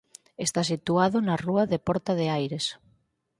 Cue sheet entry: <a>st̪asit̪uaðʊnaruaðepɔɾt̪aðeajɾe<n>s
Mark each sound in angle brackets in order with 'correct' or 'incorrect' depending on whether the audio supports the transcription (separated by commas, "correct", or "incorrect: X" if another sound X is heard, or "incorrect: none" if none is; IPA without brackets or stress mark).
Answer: incorrect: e, incorrect: none